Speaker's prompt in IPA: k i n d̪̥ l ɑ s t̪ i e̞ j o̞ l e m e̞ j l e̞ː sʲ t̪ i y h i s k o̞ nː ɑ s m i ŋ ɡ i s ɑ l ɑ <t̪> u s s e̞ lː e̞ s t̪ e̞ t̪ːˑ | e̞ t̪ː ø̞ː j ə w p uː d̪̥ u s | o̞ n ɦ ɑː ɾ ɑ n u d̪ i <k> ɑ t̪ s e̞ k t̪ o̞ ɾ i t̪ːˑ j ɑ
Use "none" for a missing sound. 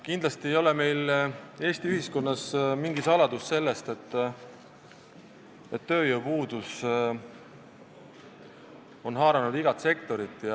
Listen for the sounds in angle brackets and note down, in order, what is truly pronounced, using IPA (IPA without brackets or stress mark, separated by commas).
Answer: d̪, ɡ